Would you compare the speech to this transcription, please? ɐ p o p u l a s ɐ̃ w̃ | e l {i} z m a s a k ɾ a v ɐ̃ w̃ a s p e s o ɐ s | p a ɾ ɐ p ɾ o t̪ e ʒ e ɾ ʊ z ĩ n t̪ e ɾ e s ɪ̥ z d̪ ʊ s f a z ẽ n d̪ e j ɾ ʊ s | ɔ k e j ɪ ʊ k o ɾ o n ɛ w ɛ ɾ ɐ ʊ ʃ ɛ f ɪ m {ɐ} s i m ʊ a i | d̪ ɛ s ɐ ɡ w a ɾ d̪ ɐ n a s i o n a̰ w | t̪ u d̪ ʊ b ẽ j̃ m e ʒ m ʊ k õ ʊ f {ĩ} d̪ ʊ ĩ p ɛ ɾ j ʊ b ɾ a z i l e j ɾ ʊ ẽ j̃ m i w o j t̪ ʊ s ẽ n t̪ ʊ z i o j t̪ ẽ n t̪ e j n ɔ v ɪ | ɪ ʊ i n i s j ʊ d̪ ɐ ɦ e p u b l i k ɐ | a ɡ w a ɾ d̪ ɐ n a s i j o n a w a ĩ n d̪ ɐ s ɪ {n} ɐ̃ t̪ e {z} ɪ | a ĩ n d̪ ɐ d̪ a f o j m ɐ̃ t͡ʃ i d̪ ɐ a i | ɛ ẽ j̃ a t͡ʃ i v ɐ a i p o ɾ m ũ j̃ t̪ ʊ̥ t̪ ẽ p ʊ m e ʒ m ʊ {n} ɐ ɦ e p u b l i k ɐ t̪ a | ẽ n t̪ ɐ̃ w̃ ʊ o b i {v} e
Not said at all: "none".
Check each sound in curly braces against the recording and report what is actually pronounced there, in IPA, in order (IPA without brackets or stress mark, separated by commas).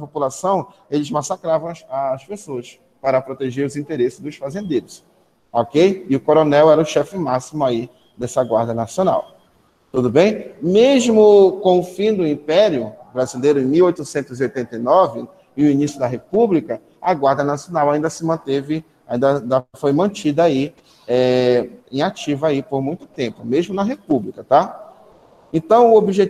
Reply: ɪ, a, ĩ, m, v, n, ʒ